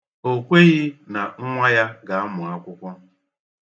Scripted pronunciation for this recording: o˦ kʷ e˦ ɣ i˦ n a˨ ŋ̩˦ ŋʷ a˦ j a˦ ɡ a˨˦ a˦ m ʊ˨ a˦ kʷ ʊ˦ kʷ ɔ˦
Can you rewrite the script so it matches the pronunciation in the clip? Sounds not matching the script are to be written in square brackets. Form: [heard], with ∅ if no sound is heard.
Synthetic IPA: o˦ kʷ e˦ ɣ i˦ n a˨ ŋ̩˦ ŋʷ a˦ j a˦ ɡ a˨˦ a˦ m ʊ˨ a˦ kʷ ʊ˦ kʷ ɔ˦